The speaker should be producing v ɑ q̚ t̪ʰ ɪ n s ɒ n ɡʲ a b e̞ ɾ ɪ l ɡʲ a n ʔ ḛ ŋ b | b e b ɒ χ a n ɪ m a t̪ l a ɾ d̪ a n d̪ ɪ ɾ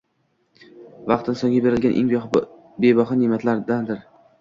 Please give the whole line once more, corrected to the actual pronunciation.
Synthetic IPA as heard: v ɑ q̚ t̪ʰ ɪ n s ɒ ŋ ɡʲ a b e̞ ɾ ɪ l ɡʲ a n ʔ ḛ ŋ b | b e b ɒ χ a n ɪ m a t̪ l a ɾ d̪ a n d̪ ɪ ɾ